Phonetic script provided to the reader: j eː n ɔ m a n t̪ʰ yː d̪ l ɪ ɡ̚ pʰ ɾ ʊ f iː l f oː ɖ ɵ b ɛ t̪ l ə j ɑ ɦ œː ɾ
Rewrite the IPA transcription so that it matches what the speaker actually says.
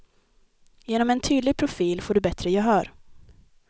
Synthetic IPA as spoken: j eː n ɔ m ɛ n t̪ʰ yː d̪ l ɪ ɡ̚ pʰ ɾ ʊ f iː l f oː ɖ ɵ b ɛ t̪ ɾ ə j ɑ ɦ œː ɾ